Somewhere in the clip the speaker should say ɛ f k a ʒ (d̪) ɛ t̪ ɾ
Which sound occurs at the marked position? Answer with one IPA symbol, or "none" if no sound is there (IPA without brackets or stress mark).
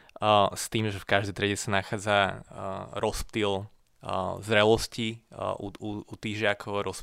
d̪